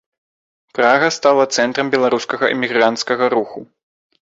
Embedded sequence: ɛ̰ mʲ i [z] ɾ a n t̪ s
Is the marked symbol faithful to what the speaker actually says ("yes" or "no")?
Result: no